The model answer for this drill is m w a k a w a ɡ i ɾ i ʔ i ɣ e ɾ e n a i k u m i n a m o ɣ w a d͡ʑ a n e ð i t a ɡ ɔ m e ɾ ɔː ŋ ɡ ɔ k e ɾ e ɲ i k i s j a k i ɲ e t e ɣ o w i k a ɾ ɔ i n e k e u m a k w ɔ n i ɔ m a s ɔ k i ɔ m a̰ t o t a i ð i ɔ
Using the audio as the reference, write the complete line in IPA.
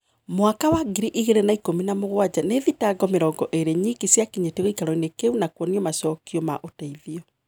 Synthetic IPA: m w a k a w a ɡ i ɾ i ʔ i ɣ e ɾ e n a i k o m i n a m o ɣ w a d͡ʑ a n e ð i t a ɡ ɔ m e ɾ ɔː ŋ ɡ ɔ ʔ e ɾ e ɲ i k i s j a k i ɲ e t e ɣ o i k a ɾ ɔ i n e k e u n a k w ɔ n i ɔ m a s ɔ k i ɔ m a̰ ʔ o t a i ð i ɔ

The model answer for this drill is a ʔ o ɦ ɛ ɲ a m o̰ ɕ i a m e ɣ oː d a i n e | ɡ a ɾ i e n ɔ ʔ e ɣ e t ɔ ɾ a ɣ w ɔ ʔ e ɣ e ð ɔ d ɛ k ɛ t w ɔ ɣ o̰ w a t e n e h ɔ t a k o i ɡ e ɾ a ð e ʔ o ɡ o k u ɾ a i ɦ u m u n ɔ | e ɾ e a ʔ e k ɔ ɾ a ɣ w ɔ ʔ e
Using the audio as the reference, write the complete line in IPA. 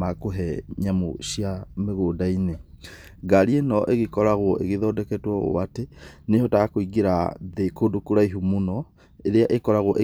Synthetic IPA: a k o ɦ ɛ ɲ a m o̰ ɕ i a m e ɣ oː d a i n e | ɡ a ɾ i e n ɔ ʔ e ɣ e k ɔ ɾ a ɣ w ɔ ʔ e ɣ e ð ɔ d ɛ k ɛ t w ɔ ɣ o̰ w a t e n e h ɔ t a k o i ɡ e ɾ a ð e k o d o k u ɾ a i ɦ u m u n ɔ | e ɾ e a ʔ e k ɔ ɾ a ɣ w ɔ ʔ e

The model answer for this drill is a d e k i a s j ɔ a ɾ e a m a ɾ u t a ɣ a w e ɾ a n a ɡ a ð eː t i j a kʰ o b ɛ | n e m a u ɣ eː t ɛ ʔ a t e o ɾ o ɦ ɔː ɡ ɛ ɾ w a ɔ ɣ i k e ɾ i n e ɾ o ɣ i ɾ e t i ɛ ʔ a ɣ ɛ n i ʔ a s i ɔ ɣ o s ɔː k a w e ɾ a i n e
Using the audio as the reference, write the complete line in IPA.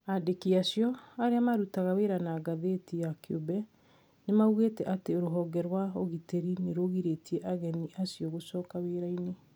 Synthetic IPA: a d e k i a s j ɔ a ɾ e a m a ɾ u t a ɣ a w e ɾ a n a ɡ a ð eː t i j a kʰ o b ɛ | n e m a u ɣ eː t ɛ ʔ a t e o ɾ o ɦ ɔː ɡ ɛ ɾ w a o ɣ i t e ɾ i n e ɾ o ɣ i ɾ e t i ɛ ʔ a ɣ ɛ n i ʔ a s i ɔ ɣ o s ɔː k a w e ɾ a i n e

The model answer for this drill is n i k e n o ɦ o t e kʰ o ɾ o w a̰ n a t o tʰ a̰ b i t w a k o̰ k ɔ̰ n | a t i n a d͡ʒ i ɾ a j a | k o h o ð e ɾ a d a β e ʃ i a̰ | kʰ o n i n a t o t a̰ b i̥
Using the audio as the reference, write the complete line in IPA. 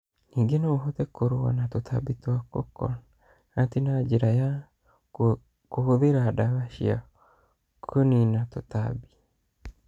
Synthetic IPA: n i ɡ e n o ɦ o t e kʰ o ɾ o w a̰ n a t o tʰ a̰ b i t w a k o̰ k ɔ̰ n | a t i n a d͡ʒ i ɾ a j a | k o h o ð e ɾ a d a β a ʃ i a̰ | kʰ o n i n a t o t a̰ b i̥

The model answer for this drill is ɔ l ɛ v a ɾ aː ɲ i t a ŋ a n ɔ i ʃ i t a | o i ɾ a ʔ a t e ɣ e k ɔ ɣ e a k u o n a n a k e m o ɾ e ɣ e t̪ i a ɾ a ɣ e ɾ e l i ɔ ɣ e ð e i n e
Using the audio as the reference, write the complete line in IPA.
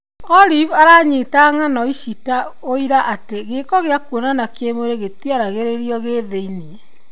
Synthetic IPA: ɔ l i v a ɾ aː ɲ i t a ŋ a n ɔ i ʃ i t a | o i ɾ a ʔ a t e ɣ e k ɔ ɣ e a k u o n a n a k e m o ɾ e ɣ e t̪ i a ɾ a ɣ e ɾ e ɾ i ɔ ɣ e ð e i n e

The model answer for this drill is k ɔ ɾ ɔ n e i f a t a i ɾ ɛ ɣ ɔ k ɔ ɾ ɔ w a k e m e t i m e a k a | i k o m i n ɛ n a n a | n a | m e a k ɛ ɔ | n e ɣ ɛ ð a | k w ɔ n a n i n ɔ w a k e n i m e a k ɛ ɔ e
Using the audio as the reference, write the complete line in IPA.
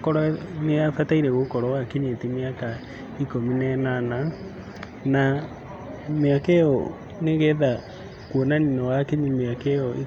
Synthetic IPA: k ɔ ɾ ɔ n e a f a t a i ɾ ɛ ɣ o k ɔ ɾ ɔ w a k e ɲ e t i m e a k a | i k o m i n ɛ n a n a | n a | m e a k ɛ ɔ | n e ɣ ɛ ð a | k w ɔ n a n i n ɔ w a k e ɲ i m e a k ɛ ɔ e

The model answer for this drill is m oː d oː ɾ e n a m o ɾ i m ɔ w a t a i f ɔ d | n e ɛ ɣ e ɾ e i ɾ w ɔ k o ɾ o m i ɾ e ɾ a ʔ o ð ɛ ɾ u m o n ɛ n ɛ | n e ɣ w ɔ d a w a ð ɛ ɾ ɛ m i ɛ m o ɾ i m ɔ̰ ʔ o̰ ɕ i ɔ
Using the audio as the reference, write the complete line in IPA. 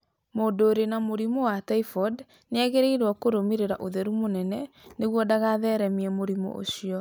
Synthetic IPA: m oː d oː ɾ e n a m o ɾ i m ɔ w a t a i f ɔ d | n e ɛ ɣ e ɾ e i ɾ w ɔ k o ɾ o m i ɾ e ɾ a ʔ o ð ɛ ɾ u m o n ɛ n ɛ | n e ɣ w ɔ d a ɣ a ð ɛ ɾ ɛ m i ɛ m o ɾ i m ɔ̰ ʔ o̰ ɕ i ɔ

